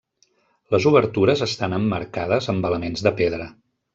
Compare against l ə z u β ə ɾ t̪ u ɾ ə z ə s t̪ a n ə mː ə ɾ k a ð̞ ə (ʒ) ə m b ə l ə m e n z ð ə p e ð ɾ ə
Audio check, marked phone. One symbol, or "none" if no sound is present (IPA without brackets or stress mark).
z